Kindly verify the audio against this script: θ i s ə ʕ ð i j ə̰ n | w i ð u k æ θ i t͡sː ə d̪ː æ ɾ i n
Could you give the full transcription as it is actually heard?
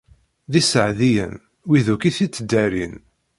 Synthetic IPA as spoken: ð i s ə ʕ ð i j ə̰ n | w i ð u k i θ i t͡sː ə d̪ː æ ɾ i n